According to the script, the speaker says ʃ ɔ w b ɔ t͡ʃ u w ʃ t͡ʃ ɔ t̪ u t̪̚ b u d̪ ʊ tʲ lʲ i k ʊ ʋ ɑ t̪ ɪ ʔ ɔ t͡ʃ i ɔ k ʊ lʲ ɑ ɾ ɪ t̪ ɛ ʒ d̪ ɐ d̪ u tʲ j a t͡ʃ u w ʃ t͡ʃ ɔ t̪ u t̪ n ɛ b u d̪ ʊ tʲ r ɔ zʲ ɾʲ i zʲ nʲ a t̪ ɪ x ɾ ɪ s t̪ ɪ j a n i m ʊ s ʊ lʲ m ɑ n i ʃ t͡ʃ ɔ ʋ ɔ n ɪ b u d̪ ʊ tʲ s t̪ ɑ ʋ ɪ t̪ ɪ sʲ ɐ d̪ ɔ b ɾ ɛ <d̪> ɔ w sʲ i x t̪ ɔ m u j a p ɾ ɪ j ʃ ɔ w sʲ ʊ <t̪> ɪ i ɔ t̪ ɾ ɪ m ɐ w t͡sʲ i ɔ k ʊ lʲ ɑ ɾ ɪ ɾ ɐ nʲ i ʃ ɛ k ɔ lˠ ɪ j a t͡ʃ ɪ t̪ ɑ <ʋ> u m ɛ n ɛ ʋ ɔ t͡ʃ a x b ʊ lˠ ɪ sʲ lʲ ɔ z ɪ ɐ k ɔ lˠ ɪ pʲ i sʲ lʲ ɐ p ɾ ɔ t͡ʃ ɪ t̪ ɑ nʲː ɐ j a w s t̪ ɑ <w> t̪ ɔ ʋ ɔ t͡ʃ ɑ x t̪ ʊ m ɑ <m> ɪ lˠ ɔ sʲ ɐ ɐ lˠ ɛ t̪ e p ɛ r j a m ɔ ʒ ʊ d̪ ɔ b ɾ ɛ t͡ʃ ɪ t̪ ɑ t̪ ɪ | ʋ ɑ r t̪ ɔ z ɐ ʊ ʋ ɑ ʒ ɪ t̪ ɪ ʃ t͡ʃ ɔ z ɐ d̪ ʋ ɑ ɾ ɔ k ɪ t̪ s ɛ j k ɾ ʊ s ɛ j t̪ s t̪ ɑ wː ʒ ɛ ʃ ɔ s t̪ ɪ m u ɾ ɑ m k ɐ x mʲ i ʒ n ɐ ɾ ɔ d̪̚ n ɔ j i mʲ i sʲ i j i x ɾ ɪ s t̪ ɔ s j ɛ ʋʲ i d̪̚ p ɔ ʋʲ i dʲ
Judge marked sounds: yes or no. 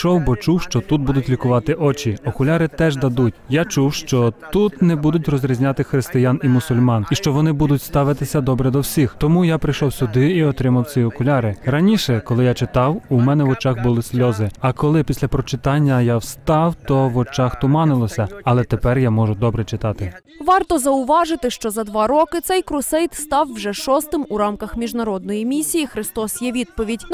yes, no, no, yes, no

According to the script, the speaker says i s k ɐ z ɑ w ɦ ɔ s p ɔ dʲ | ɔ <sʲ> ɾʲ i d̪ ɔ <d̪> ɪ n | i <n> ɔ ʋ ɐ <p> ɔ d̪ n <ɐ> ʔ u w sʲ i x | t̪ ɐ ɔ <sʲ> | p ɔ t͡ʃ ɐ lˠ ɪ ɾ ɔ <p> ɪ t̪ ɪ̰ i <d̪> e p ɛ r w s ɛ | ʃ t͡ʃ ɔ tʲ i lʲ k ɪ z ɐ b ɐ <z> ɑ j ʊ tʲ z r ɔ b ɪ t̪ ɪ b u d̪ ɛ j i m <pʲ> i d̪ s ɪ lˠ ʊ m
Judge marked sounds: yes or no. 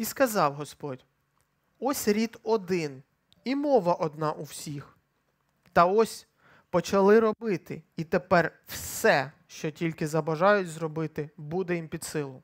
yes, yes, no, no, no, yes, no, no, no, yes

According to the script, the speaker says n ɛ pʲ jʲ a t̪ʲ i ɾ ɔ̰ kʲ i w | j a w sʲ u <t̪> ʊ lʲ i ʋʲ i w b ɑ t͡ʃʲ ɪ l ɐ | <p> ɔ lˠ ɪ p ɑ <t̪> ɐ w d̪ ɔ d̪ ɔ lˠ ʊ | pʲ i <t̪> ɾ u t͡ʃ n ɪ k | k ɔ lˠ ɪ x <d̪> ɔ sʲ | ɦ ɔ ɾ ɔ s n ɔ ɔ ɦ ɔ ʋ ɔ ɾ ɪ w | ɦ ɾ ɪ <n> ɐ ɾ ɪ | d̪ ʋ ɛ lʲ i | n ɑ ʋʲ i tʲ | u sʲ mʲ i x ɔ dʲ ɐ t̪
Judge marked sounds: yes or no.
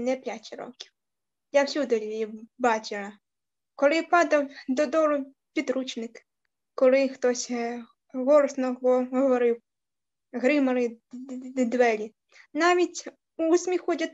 no, no, no, no, no, no

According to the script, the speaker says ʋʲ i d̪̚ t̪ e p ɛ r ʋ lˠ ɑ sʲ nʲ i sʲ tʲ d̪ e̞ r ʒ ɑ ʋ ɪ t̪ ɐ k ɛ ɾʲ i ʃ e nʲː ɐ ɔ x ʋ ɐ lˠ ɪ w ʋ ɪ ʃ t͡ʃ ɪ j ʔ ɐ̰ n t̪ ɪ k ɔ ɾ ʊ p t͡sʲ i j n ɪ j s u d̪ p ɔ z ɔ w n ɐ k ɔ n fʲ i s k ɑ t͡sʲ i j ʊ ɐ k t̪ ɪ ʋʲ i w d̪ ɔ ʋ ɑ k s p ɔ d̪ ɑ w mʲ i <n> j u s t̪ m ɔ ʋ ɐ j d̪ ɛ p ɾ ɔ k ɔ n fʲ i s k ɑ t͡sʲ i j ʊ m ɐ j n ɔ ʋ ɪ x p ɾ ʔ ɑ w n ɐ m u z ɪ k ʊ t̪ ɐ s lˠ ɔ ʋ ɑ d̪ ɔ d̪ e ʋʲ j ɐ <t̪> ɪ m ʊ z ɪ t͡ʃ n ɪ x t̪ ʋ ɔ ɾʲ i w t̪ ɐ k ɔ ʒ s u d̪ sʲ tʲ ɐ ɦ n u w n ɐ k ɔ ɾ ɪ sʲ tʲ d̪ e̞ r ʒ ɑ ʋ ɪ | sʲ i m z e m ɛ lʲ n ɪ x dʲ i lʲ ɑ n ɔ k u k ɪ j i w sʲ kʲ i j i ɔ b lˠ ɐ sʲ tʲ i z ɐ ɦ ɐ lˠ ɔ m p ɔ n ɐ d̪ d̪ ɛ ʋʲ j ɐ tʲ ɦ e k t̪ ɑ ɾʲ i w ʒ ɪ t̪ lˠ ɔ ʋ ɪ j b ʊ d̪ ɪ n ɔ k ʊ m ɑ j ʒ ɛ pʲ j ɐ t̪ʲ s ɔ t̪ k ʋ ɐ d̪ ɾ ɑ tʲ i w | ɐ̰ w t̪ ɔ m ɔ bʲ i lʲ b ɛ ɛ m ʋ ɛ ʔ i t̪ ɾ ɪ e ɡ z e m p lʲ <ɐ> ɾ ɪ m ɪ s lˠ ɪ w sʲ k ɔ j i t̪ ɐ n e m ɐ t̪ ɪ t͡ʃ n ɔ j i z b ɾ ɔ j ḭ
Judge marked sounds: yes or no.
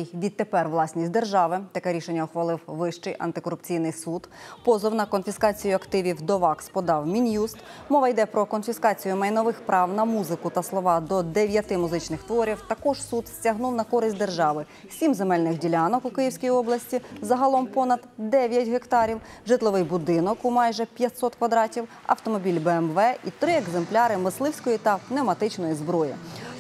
yes, yes, no

